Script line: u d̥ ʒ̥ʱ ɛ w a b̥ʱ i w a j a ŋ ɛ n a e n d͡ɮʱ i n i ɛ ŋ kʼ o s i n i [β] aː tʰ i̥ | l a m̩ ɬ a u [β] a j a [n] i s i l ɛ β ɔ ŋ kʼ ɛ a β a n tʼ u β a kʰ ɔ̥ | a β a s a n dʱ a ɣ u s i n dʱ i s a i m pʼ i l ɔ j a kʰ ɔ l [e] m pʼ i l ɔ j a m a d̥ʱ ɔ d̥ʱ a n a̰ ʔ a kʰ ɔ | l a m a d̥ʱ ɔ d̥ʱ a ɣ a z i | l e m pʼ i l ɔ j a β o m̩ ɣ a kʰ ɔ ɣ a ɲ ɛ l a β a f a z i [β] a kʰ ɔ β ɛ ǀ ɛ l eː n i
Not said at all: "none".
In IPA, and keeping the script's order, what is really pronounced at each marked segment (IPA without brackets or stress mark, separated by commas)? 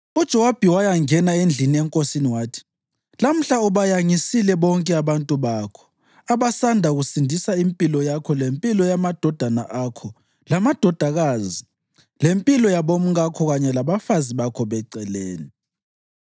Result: w, β, ŋ, e, β